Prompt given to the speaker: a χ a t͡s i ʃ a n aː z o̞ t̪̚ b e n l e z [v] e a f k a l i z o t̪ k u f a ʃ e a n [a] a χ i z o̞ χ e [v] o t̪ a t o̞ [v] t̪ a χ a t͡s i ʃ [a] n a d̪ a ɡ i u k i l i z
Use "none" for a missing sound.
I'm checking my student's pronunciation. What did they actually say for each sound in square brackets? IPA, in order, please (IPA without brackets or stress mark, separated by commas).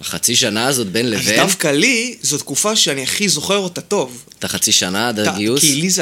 v, i, ʁ, v, a